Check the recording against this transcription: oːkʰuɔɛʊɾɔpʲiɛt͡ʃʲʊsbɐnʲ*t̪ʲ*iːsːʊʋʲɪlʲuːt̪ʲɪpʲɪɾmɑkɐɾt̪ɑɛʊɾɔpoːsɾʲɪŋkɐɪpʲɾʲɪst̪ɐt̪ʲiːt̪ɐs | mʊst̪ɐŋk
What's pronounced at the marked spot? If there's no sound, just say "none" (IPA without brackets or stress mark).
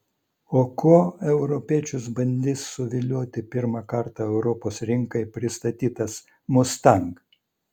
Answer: d̪ʲ